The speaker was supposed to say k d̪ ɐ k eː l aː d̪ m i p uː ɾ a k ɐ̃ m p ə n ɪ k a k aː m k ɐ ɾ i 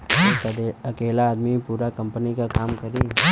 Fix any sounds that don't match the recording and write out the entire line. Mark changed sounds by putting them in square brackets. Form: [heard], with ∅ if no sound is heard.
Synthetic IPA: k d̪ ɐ k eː l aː d̪ m i p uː ɾ a k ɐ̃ m p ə n [i] k a k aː m k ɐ ɾ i